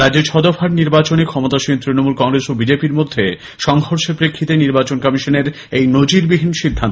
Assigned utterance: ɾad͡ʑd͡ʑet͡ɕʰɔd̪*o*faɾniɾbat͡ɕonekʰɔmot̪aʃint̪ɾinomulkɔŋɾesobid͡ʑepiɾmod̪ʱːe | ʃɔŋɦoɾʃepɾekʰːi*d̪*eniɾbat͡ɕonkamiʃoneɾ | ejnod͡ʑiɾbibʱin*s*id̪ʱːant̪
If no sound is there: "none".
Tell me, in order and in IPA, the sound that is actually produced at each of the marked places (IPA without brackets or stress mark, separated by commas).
o, t̪, ʃ